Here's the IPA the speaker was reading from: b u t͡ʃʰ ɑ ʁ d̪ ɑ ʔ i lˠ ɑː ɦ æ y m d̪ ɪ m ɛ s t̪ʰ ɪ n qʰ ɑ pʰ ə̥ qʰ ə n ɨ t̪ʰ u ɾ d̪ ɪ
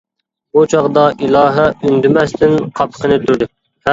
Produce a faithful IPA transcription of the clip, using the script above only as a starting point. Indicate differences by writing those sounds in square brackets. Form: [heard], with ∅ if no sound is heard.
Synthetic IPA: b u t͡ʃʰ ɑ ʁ d̪ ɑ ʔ i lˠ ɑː ɦ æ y [n] d̪ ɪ m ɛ s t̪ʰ ɪ n qʰ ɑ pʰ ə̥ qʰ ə n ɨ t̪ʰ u ɾ d̪ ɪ